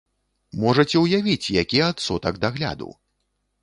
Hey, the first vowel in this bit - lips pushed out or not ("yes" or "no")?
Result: yes